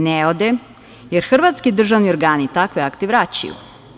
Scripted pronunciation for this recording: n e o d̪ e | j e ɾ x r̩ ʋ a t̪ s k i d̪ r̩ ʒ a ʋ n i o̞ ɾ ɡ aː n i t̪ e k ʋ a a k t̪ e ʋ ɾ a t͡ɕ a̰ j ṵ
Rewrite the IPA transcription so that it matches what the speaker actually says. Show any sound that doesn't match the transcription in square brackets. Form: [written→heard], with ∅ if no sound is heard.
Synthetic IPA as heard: n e o d̪ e | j e ɾ x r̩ ʋ a t̪ s k i d̪ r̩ ʒ a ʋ n i o̞ ɾ ɡ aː n i t̪ [e→a] k ʋ [a→e] a k t̪ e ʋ ɾ a t͡ɕ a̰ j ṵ